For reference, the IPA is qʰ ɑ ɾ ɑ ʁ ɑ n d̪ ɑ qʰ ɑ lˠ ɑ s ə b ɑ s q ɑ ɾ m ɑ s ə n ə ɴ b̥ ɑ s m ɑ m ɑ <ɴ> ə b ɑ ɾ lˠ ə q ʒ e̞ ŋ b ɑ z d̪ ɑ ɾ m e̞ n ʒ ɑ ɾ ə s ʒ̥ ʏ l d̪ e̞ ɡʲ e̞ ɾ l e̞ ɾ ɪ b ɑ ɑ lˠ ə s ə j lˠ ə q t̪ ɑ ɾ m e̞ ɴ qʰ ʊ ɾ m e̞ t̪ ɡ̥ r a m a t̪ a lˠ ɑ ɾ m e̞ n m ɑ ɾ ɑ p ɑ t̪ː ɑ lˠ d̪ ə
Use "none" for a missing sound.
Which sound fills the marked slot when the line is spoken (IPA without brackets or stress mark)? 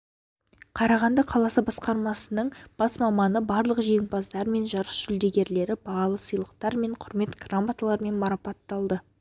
n